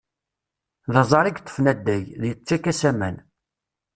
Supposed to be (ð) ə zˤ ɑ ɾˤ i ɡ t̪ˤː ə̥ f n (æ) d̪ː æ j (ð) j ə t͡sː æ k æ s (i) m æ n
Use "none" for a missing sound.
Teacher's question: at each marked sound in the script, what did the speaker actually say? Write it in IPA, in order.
ð, æ, ð, æ

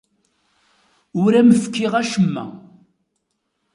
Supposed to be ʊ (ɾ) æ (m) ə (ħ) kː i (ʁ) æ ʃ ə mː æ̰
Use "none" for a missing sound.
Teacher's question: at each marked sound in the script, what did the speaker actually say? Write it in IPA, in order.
ɾ, m, f, ʁ

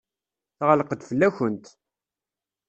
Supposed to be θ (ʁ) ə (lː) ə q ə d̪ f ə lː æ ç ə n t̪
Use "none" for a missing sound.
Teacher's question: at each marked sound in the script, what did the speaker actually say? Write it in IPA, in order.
ʁ, l

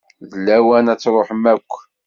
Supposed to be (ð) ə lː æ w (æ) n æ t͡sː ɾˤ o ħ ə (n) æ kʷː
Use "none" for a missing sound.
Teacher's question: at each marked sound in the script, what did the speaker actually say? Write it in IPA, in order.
ð, æ, m

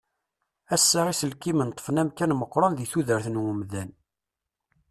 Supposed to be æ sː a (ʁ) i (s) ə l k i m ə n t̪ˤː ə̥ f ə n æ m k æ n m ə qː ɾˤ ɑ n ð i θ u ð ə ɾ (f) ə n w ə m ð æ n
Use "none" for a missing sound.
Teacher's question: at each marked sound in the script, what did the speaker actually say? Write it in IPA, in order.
ʁ, s, θ

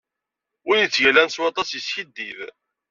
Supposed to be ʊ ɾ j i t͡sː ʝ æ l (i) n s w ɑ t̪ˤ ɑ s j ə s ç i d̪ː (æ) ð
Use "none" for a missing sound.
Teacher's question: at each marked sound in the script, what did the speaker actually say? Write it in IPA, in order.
æ, i

